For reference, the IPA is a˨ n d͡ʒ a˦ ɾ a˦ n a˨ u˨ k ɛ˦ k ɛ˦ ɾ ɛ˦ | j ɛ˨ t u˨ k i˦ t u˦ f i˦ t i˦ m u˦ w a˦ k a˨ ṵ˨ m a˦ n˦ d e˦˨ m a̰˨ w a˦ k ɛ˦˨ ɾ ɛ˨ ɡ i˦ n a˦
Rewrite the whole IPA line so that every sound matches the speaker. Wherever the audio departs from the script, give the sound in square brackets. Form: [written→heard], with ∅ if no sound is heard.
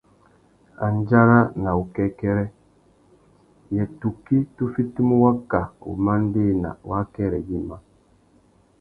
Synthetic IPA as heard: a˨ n d͡ʒ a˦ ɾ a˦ n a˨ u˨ k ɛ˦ k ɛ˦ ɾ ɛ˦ | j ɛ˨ t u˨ k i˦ t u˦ f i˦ t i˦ m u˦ w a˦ k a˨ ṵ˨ m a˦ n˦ d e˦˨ [m→n] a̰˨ w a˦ k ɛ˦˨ ɾ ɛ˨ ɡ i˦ [n→m] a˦